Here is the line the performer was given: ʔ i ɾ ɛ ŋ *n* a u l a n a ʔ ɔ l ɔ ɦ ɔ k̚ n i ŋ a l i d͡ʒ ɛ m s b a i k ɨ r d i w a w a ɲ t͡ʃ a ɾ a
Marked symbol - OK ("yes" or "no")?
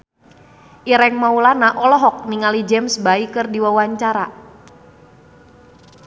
no